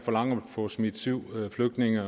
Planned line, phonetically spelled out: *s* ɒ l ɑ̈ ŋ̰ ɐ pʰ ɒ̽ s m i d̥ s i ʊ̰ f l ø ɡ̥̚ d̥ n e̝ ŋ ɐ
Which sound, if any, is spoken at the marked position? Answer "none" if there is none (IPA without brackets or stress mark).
f